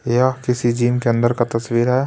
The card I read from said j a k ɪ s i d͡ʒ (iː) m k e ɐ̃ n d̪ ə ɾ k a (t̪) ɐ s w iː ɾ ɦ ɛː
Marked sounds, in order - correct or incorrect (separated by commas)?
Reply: correct, correct